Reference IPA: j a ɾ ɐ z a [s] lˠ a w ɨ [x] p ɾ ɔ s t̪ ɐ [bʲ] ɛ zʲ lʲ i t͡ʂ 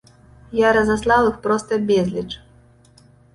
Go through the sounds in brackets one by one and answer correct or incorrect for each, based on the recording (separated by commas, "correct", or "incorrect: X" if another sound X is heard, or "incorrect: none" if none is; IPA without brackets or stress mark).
correct, correct, correct